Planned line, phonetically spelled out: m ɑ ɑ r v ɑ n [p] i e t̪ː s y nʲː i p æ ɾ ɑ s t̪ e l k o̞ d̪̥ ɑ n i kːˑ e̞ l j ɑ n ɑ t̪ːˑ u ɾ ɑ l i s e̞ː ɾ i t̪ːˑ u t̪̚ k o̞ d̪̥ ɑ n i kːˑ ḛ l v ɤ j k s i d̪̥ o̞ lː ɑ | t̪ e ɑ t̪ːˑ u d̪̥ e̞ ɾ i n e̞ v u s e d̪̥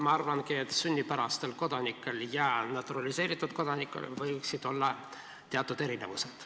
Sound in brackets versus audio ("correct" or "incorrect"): incorrect